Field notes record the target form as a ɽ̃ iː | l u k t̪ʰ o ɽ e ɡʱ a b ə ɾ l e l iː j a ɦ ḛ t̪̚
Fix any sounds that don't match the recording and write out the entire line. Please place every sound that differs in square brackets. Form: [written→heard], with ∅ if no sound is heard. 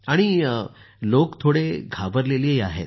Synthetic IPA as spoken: a ɽ̃ [iː→i] | l [u→o] k t̪ʰ o ɽ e ɡʱ a b ə ɾ l e l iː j a ɦ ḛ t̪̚